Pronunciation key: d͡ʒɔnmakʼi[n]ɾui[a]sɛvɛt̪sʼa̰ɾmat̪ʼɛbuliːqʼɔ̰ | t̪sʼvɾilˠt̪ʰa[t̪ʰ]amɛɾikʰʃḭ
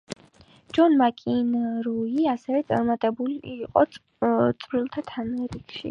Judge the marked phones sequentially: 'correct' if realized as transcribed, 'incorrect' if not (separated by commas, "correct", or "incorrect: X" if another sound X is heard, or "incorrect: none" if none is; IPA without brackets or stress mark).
correct, correct, correct